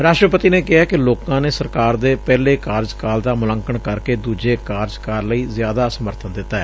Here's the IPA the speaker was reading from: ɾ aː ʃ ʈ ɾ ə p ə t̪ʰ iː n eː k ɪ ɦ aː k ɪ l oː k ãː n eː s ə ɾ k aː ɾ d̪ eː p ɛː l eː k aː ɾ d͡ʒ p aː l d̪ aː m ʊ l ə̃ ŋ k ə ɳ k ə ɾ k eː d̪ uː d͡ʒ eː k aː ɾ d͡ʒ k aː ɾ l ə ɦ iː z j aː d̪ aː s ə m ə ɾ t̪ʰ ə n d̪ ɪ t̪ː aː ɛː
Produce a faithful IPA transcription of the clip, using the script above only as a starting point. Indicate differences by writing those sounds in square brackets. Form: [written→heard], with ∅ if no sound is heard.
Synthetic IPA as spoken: ɾ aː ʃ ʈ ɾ ə p ə [t̪ʰ→t̪] iː n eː k ɪ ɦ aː k ɪ l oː k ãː n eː s ə ɾ k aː ɾ d̪ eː p ɛː l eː k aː ɾ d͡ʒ [p→k] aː l d̪ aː m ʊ l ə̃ ŋ k ə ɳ k ə ɾ k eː d̪ uː d͡ʒ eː k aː ɾ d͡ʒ k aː ɾ l ə [ɦ→∅] iː z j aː d̪ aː s ə m ə ɾ t̪ʰ ə n d̪ ɪ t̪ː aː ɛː

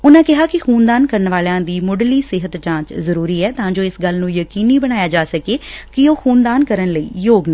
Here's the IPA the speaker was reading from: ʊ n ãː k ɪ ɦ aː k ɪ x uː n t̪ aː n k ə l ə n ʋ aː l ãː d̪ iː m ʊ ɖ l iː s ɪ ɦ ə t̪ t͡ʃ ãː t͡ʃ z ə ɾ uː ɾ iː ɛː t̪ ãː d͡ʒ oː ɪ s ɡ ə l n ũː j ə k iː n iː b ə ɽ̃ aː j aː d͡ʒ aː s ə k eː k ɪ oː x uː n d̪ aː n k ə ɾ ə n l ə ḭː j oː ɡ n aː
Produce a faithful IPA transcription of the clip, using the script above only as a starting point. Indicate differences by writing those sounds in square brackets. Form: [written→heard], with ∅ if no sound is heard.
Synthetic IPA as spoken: ʊ n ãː k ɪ ɦ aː k ɪ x uː n [t̪→d̪] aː n k ə [l→ɾ] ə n ʋ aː l ãː d̪ iː m ʊ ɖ l iː s ɪ ɦ ə t̪ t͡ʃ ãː t͡ʃ z ə ɾ uː ɾ iː ɛː t̪ ãː d͡ʒ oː ɪ s ɡ ə l n ũː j ə k iː n iː b ə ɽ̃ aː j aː d͡ʒ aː s ə k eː k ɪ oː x uː n d̪ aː n k ə ɾ ə n l ə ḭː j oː ɡ n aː

